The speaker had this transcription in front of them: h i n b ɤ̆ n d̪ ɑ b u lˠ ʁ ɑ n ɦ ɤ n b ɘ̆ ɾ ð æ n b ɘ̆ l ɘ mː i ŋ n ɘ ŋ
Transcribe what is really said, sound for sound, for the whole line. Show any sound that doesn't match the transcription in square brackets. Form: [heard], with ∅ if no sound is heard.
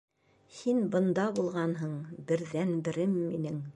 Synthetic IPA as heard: h i n b ɤ̆ n d̪ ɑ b u lˠ ʁ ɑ n ɦ ɤ [ɴ] b ɘ̆ ɾ ð æ n b ɘ̆ [ɾ] ɘ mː i [∅] n ɘ ŋ